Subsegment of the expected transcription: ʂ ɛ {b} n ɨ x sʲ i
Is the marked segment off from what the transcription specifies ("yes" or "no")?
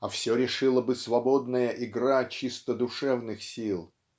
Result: yes